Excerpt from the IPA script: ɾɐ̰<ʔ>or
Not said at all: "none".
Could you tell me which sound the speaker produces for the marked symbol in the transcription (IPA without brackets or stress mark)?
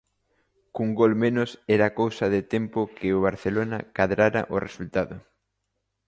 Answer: ʔ